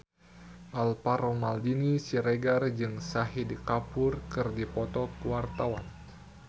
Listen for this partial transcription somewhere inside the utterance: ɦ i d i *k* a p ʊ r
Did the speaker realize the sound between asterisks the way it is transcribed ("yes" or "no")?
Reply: yes